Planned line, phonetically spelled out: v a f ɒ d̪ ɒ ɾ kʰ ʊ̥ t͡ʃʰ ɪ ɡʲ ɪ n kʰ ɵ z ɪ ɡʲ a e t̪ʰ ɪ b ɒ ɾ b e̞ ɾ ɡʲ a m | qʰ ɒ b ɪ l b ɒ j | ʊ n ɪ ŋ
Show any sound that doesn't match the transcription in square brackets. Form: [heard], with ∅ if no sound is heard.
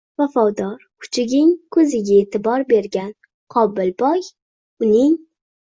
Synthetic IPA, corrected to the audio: v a f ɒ d̪ ɒ ɾ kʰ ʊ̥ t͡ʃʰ ɪ ɡʲ ɪ [ŋ] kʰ ɵ z ɪ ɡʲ a e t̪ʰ ɪ b ɒ ɾ b e̞ ɾ ɡʲ a [n] | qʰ ɒ b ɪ l b ɒ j | ʊ n ɪ ŋ